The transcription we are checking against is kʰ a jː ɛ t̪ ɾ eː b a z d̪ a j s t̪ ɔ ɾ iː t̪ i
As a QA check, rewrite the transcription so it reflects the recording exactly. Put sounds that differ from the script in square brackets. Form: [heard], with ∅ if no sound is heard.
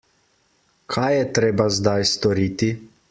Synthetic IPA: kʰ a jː ɛ t̪ ɾ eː b a z d̪ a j s t̪ ɔ ɾ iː t̪ i